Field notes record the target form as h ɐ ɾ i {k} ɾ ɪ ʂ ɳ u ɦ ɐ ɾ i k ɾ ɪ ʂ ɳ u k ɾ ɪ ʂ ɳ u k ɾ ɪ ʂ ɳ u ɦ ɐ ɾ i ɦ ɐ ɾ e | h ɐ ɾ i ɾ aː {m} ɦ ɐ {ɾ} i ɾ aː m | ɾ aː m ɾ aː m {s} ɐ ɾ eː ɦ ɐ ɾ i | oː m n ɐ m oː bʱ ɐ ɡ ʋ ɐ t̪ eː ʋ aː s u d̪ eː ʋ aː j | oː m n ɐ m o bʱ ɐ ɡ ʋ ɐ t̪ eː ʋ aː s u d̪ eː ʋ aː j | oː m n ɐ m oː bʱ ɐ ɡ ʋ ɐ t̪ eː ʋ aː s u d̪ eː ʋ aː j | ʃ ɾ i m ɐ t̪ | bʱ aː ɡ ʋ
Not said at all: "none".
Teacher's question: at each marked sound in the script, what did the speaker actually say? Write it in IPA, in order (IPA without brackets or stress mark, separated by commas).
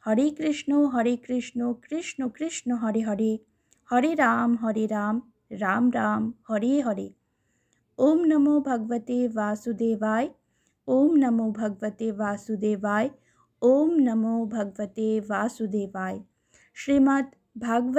k, m, ɾ, h